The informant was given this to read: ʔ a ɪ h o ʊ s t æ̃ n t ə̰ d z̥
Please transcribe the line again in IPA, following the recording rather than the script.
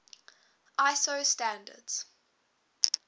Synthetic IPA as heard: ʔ a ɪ s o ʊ s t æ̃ n d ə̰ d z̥